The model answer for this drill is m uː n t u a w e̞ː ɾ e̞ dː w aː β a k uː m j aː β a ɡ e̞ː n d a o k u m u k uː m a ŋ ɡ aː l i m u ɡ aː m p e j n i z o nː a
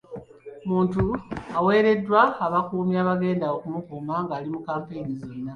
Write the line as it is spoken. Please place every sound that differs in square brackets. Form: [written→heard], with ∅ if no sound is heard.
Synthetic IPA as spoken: m uː n t u a w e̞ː ɾ e̞ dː w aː β a k uː m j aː β a ɡ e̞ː n d a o k u m u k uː m a ŋ ɡ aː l i m u [ɡ→k] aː m p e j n i z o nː a